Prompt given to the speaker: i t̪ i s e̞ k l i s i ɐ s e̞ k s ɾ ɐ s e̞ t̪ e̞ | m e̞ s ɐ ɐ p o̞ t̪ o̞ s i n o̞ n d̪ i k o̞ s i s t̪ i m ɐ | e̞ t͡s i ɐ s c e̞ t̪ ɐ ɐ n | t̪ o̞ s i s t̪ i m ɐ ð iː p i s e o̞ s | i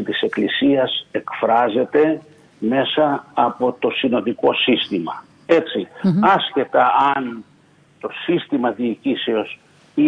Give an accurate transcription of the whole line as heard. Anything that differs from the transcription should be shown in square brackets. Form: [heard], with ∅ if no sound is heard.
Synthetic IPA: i t̪ i s e̞ k l i s i ɐ s e̞ k [f] ɾ ɐ [z] e̞ t̪ e̞ | m e̞ s ɐ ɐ p o̞ t̪ o̞ s i n o̞ n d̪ i k o̞ s i s t̪ i m ɐ | e̞ t͡s i ɐ s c e̞ t̪ ɐ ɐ n | t̪ o̞ s i s t̪ i m ɐ ð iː [c] i s e o̞ s | i